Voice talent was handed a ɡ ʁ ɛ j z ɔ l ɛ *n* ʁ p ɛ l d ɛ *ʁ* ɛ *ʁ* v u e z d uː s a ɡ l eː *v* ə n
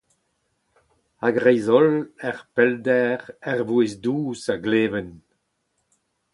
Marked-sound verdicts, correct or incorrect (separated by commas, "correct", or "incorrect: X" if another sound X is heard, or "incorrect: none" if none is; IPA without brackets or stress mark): incorrect: none, correct, correct, correct